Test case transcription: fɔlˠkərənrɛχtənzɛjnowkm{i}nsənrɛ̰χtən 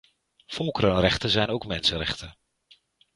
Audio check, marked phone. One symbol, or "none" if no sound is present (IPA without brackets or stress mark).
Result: ɛ